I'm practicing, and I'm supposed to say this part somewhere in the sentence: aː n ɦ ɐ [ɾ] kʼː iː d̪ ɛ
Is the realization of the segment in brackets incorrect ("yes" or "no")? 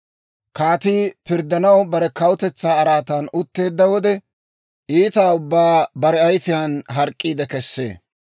no